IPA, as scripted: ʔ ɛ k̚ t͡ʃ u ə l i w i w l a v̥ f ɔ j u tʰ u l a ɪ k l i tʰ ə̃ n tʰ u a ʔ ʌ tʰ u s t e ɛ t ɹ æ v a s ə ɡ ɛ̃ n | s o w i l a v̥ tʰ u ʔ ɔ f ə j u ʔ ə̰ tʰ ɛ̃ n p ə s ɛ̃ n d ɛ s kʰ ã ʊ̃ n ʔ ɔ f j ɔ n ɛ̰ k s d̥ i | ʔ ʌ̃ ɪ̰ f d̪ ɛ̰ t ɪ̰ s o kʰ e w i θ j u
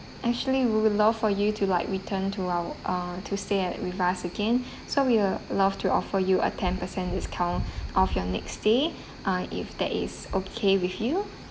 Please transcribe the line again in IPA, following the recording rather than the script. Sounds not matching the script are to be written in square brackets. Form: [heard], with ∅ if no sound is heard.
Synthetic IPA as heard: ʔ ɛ k̚ t͡ʃ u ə l i w i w l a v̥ f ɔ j u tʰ u l a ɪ k [ɹ] i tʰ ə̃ n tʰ u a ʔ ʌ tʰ u s t e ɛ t ɹ [i] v a s ə ɡ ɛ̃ n | s o w i l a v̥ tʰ u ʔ ɔ f ə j u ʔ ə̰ tʰ ɛ̃ n p ə s ɛ̃ n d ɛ s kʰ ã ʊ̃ n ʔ ɔ f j ɔ n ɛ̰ k s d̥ [e] | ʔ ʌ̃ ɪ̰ f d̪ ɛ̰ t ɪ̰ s o kʰ e w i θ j u